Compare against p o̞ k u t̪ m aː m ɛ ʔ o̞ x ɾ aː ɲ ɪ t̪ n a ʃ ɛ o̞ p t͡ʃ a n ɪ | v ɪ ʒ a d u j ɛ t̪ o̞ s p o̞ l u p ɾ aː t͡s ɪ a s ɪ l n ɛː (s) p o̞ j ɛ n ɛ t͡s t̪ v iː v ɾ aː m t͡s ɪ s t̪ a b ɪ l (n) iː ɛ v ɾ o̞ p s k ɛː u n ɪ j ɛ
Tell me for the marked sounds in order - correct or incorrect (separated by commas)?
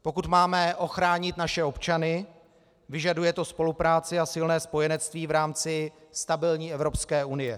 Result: correct, incorrect